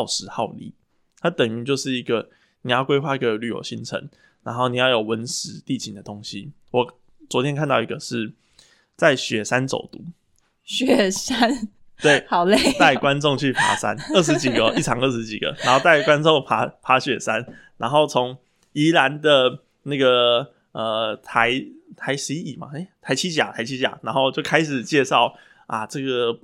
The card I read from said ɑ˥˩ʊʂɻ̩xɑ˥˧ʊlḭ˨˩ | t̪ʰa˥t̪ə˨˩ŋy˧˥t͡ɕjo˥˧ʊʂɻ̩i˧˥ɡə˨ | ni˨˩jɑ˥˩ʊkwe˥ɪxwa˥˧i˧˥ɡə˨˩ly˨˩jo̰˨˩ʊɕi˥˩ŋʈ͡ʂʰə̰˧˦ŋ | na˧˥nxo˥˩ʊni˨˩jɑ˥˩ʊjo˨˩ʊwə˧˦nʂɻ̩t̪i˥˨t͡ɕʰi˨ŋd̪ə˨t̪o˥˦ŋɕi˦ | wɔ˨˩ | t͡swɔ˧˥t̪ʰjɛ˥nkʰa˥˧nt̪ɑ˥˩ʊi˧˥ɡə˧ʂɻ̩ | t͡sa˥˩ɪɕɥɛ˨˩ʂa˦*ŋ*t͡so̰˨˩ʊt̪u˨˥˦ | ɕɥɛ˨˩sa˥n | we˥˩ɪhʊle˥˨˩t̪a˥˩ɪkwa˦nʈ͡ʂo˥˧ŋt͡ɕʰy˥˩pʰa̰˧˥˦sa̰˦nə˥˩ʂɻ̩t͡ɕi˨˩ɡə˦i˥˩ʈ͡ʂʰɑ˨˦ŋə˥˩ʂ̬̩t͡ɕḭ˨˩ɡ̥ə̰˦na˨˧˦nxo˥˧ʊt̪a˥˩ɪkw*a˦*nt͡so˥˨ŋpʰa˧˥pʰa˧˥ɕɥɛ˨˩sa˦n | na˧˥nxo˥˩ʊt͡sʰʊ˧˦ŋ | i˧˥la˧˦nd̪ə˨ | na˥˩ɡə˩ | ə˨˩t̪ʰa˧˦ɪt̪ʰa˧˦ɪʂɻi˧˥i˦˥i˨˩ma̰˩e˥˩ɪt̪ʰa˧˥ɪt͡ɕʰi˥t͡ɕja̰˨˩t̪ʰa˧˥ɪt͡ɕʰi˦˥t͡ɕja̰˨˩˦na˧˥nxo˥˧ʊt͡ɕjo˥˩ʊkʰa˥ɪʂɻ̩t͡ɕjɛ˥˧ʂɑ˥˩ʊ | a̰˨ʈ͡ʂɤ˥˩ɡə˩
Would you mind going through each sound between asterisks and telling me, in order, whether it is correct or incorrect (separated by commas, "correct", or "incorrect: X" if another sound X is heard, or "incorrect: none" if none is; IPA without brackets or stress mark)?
incorrect: n, correct